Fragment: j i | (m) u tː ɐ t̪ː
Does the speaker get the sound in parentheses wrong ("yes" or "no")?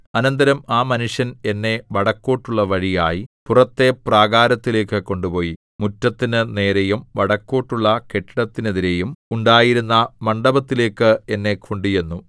no